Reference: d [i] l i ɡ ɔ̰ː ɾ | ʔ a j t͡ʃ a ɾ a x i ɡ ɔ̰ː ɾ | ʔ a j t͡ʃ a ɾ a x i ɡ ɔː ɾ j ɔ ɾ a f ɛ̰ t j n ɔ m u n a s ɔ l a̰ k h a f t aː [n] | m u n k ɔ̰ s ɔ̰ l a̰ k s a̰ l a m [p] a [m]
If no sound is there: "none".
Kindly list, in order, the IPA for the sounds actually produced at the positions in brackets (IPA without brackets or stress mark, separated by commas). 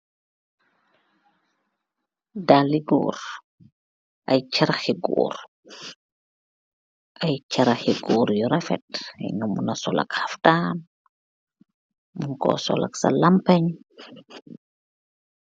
a, n, p, ɲ